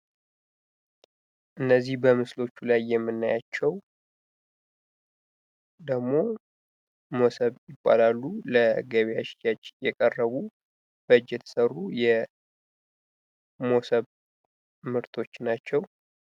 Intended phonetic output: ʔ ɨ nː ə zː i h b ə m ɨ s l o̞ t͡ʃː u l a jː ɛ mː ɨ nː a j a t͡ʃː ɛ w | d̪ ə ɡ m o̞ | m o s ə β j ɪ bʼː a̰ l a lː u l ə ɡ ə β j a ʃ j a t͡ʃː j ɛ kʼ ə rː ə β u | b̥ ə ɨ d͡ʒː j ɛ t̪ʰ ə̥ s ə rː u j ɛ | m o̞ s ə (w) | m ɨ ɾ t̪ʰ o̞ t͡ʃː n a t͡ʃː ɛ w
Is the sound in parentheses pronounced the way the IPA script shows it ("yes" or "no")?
no